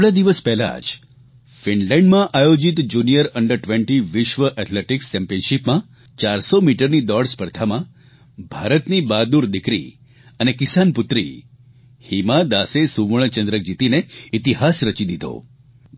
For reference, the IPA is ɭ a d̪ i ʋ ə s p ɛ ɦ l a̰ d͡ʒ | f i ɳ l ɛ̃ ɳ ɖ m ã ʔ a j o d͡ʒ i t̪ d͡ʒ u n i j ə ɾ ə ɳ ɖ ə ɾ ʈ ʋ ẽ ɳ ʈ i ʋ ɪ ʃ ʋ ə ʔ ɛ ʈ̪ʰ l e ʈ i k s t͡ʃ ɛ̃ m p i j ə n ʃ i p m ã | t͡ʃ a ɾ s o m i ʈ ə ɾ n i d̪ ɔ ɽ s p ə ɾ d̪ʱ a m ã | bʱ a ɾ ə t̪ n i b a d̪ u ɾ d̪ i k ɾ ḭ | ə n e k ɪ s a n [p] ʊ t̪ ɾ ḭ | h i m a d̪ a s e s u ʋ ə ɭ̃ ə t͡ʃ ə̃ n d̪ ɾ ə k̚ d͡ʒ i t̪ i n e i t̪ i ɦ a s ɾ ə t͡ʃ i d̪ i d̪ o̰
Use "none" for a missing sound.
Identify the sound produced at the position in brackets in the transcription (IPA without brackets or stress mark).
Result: p